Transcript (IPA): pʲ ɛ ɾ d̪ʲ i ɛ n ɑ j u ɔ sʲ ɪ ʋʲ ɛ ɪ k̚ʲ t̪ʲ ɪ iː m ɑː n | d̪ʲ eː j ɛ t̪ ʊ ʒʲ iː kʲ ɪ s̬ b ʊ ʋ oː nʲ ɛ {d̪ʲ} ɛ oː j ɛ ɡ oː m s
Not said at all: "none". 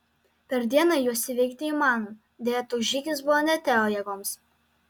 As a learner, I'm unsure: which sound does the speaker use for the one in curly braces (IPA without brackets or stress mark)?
t̪ʲ